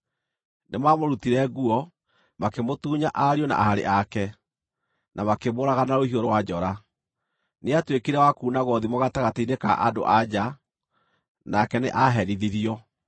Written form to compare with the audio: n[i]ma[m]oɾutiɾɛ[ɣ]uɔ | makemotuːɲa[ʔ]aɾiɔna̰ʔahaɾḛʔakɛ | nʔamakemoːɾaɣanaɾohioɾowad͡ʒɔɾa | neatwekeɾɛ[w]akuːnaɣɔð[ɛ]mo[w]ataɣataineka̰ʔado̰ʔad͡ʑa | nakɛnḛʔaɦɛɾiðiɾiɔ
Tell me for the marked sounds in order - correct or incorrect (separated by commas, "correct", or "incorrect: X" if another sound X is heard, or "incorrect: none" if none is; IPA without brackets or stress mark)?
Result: incorrect: e, correct, correct, correct, correct, incorrect: i, incorrect: ɣ